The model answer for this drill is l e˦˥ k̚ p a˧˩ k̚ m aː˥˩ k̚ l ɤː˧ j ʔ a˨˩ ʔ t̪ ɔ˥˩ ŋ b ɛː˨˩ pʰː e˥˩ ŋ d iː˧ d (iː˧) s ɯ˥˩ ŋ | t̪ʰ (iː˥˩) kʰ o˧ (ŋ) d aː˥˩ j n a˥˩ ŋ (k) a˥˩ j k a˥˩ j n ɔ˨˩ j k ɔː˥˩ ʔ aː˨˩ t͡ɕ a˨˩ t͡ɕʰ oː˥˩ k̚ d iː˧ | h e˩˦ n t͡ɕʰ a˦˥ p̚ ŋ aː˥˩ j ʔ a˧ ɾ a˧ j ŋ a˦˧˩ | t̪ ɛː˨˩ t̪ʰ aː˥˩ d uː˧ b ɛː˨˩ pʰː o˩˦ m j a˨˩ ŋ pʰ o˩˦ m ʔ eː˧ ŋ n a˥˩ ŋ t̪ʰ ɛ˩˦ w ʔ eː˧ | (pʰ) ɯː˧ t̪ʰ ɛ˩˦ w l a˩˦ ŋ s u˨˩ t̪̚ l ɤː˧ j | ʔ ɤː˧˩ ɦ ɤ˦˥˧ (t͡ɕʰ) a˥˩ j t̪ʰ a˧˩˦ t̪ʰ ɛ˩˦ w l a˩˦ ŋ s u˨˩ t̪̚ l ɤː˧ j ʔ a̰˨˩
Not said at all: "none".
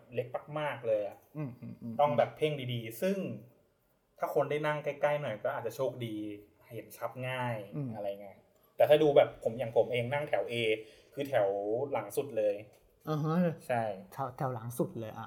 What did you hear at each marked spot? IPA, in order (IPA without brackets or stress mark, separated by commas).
iː˧, aː˥˩, n, k, kʰ, t͡ɕʰ